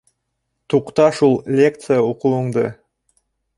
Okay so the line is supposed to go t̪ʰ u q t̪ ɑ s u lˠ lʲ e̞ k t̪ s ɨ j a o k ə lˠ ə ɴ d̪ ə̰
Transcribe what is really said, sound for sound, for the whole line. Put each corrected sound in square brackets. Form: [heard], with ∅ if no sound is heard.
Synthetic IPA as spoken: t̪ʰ u q t̪ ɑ [ʃ] u lˠ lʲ e̞ k t̪ s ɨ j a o [q] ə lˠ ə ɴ d̪ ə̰